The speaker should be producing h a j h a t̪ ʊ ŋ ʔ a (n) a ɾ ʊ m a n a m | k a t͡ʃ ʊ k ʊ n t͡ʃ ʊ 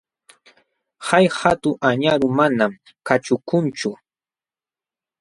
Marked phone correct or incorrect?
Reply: incorrect